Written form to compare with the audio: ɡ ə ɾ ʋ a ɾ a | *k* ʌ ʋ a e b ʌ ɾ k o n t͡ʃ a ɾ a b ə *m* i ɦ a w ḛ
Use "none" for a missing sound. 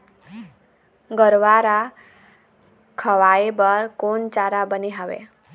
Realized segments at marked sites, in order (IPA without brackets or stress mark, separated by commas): kʰ, n